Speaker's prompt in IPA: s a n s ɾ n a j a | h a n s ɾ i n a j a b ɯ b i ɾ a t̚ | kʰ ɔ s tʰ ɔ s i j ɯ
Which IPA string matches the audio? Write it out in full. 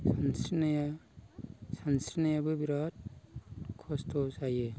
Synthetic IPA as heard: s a n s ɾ n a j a | s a n s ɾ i n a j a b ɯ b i ɾ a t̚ | kʰ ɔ s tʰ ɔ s a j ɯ

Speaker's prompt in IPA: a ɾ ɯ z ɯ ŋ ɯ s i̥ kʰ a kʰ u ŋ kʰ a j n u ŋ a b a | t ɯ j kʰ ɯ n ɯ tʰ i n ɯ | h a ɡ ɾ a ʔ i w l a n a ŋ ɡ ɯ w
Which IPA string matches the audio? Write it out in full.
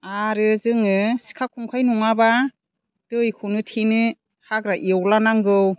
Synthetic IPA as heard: a ɾ ɯ z ɯ ŋ ɯ s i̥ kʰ a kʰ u ŋ kʰ a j n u ŋ a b a | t ɯ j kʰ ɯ n ɯ tʰ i n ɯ | h a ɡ ɾ a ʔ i w l a n a ŋ ɡ ɯ w

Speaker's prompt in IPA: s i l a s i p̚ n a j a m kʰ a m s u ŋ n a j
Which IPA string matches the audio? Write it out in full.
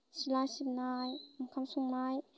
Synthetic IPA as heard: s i l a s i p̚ n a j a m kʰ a m s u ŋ n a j

